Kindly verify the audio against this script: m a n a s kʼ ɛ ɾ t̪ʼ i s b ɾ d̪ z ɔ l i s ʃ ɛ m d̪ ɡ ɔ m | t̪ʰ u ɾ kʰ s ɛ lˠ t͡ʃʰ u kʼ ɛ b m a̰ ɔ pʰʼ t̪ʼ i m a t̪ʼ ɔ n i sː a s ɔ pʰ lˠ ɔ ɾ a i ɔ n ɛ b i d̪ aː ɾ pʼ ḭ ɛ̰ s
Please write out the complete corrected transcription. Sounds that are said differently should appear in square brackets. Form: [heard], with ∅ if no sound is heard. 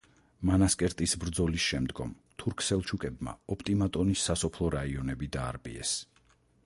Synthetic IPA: m a n a s kʼ ɛ ɾ t̪ʼ i s b ɾ d̪ z ɔ l i s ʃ ɛ m d̪ ɡ ɔ m | t̪ʰ u ɾ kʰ s ɛ lˠ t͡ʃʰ u kʼ ɛ b m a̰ ɔ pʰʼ t̪ʼ i m a t̪ʼ ɔ n i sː a s ɔ pʰ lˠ ɔ ɾ a i ɔ n ɛ b i d̪ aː ɾ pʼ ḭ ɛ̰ s